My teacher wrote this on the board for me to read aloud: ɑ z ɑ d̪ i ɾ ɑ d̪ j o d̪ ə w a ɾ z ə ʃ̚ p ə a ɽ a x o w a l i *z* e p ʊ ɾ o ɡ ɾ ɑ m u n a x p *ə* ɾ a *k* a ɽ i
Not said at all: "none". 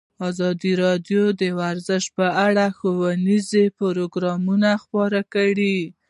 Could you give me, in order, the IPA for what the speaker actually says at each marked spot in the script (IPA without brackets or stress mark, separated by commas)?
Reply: z, ɑ, k